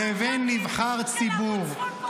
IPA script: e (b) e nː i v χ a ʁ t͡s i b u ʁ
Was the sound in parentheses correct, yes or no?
no